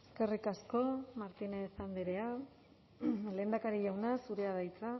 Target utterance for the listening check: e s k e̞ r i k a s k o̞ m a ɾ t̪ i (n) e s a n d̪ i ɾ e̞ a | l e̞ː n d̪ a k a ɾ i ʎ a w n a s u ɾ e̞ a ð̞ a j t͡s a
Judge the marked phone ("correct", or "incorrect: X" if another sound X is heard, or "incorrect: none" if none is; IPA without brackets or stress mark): correct